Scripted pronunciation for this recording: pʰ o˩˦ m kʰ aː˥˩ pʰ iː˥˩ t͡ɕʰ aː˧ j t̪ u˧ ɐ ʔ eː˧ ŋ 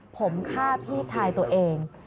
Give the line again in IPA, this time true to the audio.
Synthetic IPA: pʰ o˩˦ m kʰ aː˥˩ pʰ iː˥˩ t͡ɕʰ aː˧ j t̪ u˧ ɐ ʔ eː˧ ŋ

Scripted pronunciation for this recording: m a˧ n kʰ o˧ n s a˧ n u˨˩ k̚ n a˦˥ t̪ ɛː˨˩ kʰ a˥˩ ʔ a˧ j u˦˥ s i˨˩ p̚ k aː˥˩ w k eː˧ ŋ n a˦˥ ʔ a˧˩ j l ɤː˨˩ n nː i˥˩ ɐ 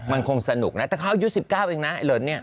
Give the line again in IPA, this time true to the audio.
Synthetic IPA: m a˧ n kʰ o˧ ŋ s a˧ n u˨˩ k̚ n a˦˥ t̪ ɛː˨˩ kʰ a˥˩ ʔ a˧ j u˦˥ s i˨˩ p̚ k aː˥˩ w ʔ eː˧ ŋ n a˦˥ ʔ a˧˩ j l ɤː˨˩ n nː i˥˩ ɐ

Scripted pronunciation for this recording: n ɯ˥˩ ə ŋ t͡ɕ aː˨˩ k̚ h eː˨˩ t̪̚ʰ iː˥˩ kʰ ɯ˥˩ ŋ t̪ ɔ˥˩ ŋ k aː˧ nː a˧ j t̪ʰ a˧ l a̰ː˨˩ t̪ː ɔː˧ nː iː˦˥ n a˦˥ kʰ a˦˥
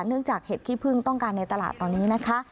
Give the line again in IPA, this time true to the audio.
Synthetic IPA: n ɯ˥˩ ə ŋ t͡ɕ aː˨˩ k̚ h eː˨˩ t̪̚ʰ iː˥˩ pʰ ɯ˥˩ ŋ t̪ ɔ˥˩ ŋ k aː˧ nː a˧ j t̪ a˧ l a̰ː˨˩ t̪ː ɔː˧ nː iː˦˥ n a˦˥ kʰ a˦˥

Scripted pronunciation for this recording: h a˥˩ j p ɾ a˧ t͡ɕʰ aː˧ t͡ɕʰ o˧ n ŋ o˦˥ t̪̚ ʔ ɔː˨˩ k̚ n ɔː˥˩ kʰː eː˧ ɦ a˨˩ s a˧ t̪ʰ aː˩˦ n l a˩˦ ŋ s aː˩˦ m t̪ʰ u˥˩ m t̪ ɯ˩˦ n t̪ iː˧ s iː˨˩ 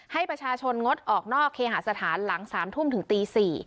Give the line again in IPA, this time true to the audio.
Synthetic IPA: h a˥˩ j p ɾ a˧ t͡ɕʰ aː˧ t͡ɕʰ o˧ n ŋ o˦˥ t̪̚ ʔ ɔː˨˩ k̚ n ɔː˥˩ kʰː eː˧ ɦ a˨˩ s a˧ t̪ʰ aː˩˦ n l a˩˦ ŋ s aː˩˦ m t̪ʰ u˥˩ m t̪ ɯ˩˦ ŋ t̪ iː˧ s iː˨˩

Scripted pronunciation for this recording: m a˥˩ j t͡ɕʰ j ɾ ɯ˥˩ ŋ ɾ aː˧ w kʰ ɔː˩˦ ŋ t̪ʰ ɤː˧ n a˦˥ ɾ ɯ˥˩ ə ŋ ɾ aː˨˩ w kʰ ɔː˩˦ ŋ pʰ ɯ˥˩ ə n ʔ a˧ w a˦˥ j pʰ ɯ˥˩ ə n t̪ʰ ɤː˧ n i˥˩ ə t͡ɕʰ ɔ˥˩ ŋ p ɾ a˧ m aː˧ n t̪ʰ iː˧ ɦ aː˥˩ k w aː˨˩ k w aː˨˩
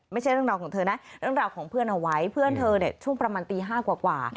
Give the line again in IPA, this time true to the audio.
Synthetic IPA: m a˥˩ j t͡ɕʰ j ɾ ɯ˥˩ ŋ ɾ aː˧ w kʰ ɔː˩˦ ŋ t̪ʰ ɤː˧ n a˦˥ ɾ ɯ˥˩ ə ŋ ɾ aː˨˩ w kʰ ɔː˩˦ ŋ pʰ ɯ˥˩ ə n ʔ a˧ w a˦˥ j pʰ ɯ˥˩ ə n t̪ʰ ɤː˧ n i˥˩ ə t͡ɕʰ u˥˩ ŋ p ɾ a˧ m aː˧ n t̪ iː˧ ɦ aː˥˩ k w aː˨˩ k w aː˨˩

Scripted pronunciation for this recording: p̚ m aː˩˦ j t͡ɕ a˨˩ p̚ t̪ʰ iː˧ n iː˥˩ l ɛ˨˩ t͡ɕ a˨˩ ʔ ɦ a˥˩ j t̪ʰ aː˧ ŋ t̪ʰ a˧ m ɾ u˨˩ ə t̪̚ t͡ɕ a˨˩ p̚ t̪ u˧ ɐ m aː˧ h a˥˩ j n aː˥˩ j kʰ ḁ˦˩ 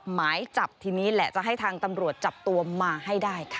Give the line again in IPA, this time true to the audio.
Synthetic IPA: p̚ m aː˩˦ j t͡ɕ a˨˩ p̚ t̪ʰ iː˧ n iː˦˥ l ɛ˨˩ t͡ɕ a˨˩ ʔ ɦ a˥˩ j t̪ʰ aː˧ ŋ t̪ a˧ m ɾ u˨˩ ə t̪̚ t͡ɕ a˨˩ p̚ t̪ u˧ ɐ m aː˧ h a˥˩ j d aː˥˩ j kʰ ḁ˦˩

